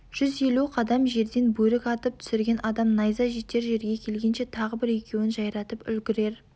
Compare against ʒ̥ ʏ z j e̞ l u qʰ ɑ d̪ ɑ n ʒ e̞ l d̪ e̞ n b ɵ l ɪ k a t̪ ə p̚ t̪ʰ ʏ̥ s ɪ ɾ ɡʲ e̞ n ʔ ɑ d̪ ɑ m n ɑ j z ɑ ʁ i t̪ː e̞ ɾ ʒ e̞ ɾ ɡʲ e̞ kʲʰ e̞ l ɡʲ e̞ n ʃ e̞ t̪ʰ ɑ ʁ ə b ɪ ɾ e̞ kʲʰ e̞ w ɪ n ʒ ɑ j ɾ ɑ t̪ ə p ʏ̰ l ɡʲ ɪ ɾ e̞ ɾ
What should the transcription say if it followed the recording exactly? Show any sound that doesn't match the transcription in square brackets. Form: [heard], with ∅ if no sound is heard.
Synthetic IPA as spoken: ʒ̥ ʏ z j e̞ l u qʰ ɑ d̪ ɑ [m] ʒ e̞ [ɾ] d̪ e̞ n b ɵ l ɪ k [ɑ] t̪ ə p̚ t̪ʰ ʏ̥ s ɪ ɾ ɡʲ e̞ n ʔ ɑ d̪ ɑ m n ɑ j z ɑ [ʒ] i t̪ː e̞ ɾ ʒ e̞ ɾ ɡʲ e̞ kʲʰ e̞ l ɡʲ e̞ n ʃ e̞ t̪ʰ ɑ ʁ ə b ɪ ɾ e̞ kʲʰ e̞ w ɪ n ʒ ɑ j ɾ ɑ t̪ ə p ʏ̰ l ɡʲ ɪ ɾ e̞ ɾ